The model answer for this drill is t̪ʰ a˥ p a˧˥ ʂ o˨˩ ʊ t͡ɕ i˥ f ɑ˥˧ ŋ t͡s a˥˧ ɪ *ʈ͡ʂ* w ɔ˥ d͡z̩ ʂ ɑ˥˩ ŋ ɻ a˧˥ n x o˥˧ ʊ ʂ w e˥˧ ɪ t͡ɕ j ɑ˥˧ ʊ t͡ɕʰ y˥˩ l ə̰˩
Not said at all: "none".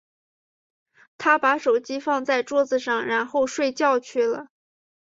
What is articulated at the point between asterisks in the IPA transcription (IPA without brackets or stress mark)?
ʈ͡ʂ